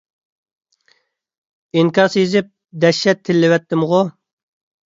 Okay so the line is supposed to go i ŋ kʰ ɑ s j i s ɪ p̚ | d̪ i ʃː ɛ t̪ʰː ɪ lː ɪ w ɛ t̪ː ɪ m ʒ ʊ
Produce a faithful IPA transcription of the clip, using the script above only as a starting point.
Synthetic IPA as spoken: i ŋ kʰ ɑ s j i z ɪ p̚ | d̪ ɛ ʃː ɛ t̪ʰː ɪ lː ɪ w ɛ t̪ː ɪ m ʁ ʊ